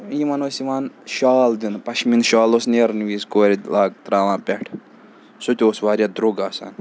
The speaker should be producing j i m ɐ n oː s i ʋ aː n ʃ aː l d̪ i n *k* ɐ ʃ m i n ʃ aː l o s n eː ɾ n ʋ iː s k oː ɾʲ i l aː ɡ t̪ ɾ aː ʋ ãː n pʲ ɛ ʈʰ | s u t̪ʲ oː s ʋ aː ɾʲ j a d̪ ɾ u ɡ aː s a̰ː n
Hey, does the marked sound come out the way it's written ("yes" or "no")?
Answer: no